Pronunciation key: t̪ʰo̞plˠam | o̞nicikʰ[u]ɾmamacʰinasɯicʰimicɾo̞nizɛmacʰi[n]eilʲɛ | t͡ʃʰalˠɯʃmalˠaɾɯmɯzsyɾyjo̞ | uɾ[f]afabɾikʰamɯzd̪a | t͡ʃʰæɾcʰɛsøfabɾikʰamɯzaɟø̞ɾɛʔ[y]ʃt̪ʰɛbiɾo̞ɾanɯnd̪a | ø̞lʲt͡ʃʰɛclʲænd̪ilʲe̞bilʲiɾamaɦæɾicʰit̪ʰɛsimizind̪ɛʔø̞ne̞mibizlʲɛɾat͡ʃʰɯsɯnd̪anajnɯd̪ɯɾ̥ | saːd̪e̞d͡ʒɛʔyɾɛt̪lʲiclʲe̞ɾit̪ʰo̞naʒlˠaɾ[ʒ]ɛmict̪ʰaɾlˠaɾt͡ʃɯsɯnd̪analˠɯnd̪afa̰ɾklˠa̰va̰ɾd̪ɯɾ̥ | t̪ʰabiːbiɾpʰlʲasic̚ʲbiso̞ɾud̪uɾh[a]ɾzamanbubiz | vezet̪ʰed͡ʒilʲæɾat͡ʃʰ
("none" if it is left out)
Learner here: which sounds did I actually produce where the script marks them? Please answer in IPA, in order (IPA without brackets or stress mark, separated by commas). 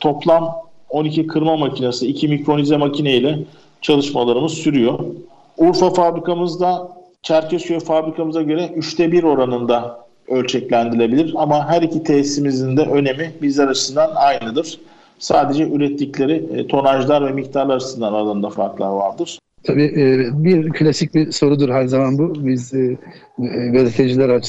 ɯ, n, f, y, v, æ